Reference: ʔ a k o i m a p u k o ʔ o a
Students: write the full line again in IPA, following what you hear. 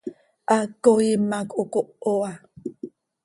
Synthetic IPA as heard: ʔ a k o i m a k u k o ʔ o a